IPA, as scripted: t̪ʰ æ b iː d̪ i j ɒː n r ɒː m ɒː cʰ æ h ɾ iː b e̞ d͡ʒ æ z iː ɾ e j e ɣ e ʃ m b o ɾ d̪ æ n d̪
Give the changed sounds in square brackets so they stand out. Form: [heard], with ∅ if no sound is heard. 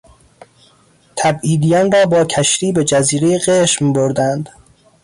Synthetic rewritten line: t̪ʰ æ b iː d̪ i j ɒː n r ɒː [b] ɒː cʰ æ [ʃ] ɾ iː b e̞ d͡ʒ æ z iː ɾ e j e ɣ e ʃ m b o ɾ d̪ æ n d̪